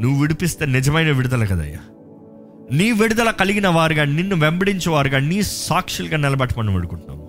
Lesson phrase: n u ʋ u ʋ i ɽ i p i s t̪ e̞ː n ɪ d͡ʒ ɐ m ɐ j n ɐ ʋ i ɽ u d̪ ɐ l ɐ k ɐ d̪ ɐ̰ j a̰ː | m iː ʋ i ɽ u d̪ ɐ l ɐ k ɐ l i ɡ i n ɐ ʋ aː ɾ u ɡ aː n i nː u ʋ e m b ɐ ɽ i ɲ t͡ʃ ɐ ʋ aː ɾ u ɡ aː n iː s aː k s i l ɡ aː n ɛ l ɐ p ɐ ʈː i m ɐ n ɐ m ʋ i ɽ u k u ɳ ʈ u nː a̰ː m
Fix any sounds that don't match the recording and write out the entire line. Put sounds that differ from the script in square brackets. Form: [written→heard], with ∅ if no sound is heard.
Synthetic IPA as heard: n u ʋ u ʋ i ɽ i p i s t̪ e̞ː n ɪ d͡ʒ ɐ m ɐ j n ɐ ʋ i ɽ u d̪ ɐ l ɐ k ɐ d̪ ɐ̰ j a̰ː | [m→n] iː ʋ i ɽ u d̪ ɐ l ɐ k ɐ l i ɡ i n ɐ ʋ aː ɾ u ɡ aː n i nː u ʋ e m b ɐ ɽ i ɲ t͡ʃ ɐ ʋ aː ɾ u ɡ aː n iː s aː k [s→ʂ] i l ɡ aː n ɛ l ɐ [p→b] ɐ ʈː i m ɐ n ɐ m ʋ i ɽ u k u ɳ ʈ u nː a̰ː m